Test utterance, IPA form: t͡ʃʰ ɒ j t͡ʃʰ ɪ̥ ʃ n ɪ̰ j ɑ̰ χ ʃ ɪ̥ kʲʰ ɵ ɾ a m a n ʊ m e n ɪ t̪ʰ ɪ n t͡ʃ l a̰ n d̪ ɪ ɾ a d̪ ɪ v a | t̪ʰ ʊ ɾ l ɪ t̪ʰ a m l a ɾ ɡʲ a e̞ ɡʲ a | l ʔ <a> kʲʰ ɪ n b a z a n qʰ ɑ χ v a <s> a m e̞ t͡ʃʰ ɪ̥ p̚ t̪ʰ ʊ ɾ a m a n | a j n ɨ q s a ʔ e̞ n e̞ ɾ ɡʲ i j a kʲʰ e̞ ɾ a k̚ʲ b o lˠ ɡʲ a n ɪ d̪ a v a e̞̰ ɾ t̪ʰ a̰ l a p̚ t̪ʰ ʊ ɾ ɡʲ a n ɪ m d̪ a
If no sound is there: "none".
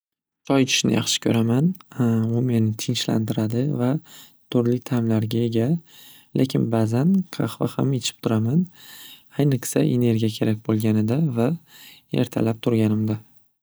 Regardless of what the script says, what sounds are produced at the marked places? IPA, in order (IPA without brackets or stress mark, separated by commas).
e, h